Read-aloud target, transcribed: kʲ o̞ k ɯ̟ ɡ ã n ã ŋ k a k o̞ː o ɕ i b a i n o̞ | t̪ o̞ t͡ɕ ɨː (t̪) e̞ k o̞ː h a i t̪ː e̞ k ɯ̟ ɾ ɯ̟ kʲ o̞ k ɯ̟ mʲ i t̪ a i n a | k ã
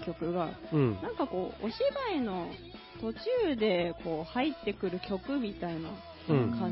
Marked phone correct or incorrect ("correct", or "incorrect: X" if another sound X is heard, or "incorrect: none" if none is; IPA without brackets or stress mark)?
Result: incorrect: d̪